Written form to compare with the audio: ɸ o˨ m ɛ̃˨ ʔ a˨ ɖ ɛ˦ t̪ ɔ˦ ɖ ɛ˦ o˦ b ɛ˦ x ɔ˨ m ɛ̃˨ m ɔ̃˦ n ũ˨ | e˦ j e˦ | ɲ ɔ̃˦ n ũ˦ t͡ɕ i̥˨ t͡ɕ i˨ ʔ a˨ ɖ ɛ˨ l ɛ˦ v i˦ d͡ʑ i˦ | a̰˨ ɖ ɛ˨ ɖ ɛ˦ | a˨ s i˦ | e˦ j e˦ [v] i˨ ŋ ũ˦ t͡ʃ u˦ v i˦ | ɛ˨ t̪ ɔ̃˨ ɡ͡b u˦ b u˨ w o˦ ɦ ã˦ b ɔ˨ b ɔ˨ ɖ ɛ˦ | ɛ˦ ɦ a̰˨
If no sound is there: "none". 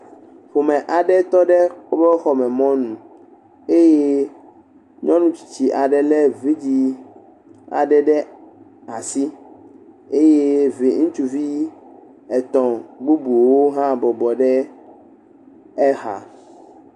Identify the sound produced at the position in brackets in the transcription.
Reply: v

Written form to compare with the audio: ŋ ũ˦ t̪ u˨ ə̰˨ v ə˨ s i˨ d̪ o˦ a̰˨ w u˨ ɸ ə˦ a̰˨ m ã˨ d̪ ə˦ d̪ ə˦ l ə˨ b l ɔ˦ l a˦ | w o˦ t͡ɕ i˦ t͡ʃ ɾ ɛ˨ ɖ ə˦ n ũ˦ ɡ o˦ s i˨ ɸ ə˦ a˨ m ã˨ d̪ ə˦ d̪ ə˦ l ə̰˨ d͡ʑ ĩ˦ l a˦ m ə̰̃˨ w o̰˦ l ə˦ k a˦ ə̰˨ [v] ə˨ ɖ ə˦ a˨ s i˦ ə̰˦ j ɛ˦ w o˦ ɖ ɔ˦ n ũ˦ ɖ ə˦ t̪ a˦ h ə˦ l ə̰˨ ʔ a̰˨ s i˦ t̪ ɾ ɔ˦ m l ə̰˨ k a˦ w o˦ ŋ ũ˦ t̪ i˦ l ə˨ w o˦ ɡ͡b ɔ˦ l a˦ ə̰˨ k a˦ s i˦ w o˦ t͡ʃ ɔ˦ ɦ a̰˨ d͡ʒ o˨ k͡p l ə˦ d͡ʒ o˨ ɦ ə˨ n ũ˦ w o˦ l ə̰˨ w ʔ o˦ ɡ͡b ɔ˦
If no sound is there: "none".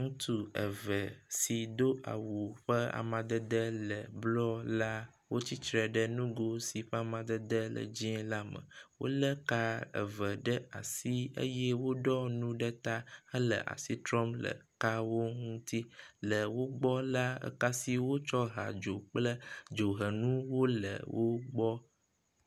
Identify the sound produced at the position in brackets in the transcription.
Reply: v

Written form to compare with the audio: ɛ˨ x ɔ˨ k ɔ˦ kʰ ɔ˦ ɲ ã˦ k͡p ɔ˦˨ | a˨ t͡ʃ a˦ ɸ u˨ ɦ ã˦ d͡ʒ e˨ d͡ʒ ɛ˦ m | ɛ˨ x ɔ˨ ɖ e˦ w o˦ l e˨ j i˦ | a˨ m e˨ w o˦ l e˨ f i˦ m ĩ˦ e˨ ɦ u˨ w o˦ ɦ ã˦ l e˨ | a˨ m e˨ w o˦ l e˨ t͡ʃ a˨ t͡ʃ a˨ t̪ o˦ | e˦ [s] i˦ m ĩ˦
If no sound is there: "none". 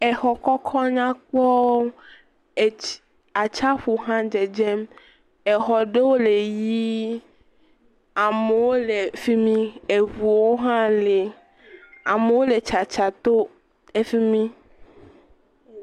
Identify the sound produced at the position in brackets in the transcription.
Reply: f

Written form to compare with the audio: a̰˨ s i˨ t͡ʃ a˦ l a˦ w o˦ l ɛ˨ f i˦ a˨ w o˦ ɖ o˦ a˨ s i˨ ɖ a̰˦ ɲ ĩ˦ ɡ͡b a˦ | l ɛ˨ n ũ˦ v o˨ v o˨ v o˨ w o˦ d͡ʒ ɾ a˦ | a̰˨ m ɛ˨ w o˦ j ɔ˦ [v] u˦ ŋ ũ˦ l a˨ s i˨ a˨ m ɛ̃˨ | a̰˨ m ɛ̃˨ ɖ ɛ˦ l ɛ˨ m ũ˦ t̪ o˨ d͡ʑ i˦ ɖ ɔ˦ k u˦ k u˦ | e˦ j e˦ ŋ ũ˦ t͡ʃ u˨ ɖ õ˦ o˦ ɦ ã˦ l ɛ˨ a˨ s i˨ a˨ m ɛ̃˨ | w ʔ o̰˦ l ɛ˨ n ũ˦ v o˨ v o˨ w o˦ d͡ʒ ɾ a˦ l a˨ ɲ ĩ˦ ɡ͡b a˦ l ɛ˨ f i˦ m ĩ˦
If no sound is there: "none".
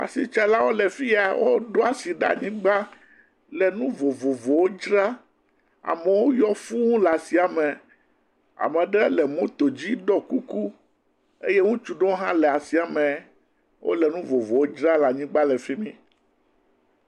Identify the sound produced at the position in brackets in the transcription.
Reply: f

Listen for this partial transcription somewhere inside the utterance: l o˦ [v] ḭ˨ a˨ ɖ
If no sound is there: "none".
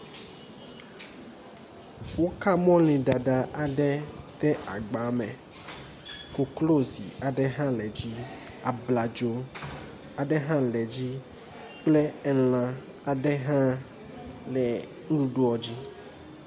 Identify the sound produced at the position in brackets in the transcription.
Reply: z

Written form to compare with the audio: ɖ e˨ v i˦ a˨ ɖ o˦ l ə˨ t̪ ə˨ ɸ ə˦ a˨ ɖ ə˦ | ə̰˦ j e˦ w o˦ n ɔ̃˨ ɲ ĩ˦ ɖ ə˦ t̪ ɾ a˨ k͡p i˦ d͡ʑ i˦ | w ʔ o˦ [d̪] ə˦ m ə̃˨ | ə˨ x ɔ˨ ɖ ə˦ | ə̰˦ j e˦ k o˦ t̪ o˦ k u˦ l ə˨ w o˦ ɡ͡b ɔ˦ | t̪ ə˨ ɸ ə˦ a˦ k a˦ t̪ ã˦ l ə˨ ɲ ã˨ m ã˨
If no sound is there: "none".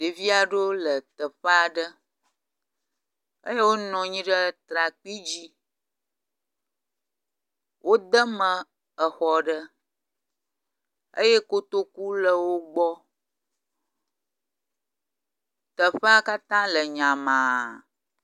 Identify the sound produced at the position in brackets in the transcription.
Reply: d̪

